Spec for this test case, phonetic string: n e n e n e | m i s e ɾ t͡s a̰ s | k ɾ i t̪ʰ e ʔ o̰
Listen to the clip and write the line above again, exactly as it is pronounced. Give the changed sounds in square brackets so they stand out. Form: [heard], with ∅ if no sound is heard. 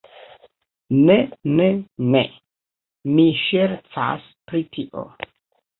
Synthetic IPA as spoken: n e n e n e | m i [ʃ] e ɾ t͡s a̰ s | [p] ɾ i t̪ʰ [i] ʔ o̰